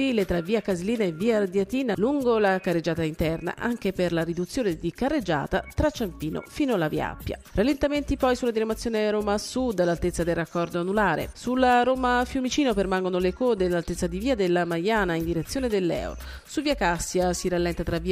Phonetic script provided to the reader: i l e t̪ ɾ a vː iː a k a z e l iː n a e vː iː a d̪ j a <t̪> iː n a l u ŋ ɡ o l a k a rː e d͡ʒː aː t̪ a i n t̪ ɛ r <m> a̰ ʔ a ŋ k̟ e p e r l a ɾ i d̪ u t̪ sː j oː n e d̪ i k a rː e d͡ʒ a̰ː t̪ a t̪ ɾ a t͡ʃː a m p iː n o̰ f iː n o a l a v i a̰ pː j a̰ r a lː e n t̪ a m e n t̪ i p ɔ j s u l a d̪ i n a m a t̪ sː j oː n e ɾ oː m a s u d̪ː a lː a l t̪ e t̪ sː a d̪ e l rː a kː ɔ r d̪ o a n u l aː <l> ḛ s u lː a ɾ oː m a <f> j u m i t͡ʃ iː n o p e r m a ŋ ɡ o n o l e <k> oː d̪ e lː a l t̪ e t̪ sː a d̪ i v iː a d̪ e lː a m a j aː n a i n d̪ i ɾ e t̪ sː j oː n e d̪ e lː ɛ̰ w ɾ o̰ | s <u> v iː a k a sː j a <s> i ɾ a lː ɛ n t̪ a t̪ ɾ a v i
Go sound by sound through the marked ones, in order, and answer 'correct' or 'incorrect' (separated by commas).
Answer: correct, incorrect, incorrect, correct, correct, correct, correct